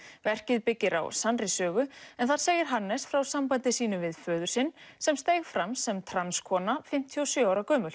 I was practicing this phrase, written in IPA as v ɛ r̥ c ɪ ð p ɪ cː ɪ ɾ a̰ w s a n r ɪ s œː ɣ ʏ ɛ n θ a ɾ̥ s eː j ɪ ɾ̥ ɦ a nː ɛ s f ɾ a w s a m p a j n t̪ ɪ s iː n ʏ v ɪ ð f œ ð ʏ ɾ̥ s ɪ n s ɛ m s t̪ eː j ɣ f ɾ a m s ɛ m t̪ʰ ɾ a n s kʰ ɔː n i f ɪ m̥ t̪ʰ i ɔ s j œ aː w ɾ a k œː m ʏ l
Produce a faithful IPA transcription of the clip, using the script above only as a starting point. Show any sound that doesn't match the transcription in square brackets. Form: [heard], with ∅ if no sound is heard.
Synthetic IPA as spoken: v ɛ r̥ c ɪ ð p ɪ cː ɪ ɾ a̰ w s a n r ɪ s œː ɣ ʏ ɛ n θ a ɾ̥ s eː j ɪ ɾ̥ ɦ a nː ɛ s f ɾ a w s a m p a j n t̪ ɪ s iː n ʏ v ɪ ð f [œː] ð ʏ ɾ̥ s ɪ n s ɛ m s t̪ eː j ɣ f ɾ a m s ɛ m t̪ʰ ɾ a n s kʰ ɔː n [a] f ɪ m̥ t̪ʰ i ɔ s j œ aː w ɾ a k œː m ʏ l